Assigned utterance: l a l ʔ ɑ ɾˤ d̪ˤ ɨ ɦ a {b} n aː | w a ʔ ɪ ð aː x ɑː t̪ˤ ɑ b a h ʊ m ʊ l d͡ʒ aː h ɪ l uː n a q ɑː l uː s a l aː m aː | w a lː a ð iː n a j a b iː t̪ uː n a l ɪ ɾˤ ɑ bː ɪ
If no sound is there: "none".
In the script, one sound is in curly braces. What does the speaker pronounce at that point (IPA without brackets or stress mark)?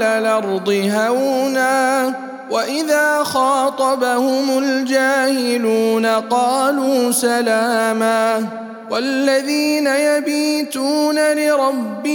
w